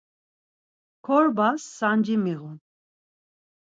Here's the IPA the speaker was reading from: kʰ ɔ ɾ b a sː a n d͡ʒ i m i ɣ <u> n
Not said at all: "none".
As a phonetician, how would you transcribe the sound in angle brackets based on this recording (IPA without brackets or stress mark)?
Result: u